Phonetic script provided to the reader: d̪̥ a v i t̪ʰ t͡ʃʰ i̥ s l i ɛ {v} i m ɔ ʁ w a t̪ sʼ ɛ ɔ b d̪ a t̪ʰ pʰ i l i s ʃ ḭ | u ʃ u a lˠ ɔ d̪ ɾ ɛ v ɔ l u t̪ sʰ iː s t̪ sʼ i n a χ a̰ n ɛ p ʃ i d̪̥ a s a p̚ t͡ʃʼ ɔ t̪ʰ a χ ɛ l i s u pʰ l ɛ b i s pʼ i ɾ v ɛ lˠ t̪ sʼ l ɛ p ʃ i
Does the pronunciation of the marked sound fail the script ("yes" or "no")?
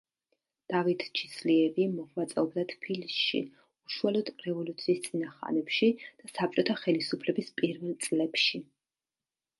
no